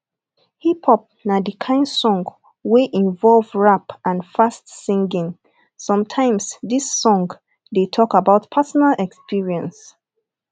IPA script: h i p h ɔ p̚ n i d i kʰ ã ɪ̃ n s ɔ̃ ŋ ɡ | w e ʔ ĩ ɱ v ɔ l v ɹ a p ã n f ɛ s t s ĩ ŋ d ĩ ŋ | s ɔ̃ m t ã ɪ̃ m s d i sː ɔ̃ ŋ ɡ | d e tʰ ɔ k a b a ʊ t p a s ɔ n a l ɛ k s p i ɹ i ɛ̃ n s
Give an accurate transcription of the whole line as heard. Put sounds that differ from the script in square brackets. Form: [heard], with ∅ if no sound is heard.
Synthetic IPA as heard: h i p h ɔ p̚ n [a] d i kʰ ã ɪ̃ n s ɔ̃ ŋ ɡ | w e ʔ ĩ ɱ v ɔ l v ɹ a p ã n f [a] s t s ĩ ŋ [ɡ] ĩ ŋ | s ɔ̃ m [tʰ] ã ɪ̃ m s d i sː ɔ̃ ŋ ɡ | d e tʰ ɔ k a b a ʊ t [pʰ] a s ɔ n a l ɛ k s p i ɹ i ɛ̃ n s

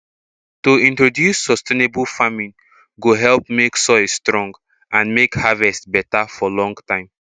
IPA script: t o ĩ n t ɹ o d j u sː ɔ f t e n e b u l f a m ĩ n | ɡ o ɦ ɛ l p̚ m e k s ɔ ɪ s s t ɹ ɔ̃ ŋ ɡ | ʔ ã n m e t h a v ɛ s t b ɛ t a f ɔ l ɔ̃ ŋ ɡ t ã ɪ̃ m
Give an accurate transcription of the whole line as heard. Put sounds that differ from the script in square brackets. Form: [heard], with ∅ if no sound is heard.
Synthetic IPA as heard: t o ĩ n t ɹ o d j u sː ɔ [s] t e n e b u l f a m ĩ n | ɡ o ɦ ɛ l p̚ m e k s ɔ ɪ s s t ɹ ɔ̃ ŋ ɡ | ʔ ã n m e [k] h a v ɛ s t b ɛ t a f ɔ l ɔ̃ ŋ ɡ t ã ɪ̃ m

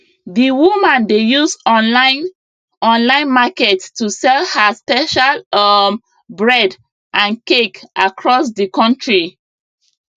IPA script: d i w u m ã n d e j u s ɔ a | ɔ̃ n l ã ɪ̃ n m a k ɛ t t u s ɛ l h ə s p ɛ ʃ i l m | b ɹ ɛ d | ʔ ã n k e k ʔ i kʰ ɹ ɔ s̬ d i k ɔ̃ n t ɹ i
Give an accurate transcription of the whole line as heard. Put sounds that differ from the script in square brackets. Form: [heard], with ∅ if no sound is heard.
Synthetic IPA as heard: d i w u m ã n d e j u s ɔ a | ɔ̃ n l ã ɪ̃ n m a k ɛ t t u s ɛ l h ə s p ɛ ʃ [a] l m | b ɹ ɛ d | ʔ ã n k e k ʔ [a] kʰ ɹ ɔ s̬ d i k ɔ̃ n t ɹ i

